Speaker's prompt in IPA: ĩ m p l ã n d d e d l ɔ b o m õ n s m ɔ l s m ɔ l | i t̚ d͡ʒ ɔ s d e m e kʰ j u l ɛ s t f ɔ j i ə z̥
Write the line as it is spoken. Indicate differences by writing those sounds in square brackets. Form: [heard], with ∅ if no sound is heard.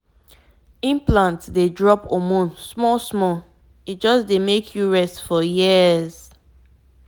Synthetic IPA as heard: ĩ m p l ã n [t] d e d [ɹ] ɔ [p] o m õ n s m ɔ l s m ɔ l | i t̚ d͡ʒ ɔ s d e m e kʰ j u [ɹ] ɛ s t f ɔ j i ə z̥